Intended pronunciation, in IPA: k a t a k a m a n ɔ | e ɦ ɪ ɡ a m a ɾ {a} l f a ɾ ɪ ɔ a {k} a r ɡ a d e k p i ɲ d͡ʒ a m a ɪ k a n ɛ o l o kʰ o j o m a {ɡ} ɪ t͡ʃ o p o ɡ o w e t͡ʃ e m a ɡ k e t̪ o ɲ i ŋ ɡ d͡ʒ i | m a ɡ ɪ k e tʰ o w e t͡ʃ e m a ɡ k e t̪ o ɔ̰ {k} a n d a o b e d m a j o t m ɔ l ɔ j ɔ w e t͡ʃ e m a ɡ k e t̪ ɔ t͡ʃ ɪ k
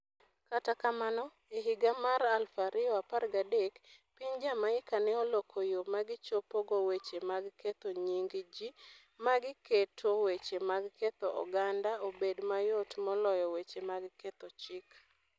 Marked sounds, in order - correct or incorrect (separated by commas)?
correct, incorrect, correct, incorrect